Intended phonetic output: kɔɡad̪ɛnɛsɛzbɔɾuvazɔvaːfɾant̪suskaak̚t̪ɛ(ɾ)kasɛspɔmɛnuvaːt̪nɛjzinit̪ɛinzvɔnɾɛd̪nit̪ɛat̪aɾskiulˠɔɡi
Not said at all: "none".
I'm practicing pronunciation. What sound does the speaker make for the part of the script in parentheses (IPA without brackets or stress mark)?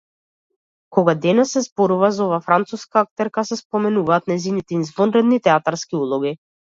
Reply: ɾ